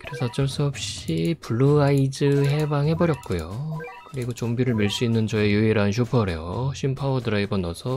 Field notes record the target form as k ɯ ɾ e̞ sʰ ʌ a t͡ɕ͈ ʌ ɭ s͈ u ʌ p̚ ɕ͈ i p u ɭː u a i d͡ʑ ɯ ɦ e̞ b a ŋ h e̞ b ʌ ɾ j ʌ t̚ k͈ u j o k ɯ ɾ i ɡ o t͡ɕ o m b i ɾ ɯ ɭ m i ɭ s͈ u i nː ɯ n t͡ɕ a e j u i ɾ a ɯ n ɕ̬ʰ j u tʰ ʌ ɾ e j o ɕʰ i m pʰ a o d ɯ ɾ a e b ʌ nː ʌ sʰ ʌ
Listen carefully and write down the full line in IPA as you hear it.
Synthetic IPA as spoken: k ɯ ɾ e̞ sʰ ʌ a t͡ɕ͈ ʌ ɭ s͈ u ʌ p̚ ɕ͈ i p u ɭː u a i d͡ʑ ɯ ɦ e̞ b a ŋ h e̞ b ʌ ɾ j ʌ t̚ k͈ u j o k ɯ ɾ i ɡ o t͡ɕ o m b i ɾ ɯ ɭ m i ɭ s͈ u i nː ɯ n t͡ɕ ʌ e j u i ɾ a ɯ n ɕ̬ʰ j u pʰ ʌ ɾ e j o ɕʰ i m pʰ a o d ɯ ɾ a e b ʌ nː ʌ sʰ ʌ